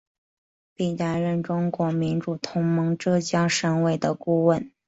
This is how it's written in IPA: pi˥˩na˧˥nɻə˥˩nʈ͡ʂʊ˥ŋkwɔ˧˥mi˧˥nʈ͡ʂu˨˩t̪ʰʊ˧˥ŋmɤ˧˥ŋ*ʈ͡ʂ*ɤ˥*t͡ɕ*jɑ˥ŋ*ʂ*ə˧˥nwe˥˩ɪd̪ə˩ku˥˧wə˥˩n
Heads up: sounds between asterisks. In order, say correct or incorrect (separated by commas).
correct, correct, correct